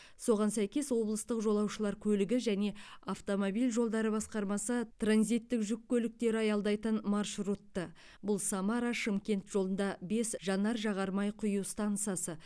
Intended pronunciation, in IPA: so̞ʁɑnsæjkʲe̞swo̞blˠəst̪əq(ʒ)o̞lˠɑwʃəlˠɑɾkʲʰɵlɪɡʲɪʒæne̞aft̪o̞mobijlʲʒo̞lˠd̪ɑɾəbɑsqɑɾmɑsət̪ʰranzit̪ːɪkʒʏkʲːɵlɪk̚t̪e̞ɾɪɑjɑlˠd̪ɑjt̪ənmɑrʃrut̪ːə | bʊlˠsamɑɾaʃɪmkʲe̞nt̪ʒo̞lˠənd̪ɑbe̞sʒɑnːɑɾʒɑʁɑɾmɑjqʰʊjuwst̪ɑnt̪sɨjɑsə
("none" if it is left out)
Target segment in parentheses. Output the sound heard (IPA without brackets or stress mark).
ʒ